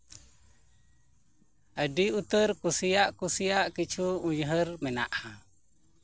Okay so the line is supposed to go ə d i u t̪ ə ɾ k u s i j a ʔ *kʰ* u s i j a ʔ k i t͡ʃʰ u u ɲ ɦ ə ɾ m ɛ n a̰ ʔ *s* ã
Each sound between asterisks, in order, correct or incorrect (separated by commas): incorrect, incorrect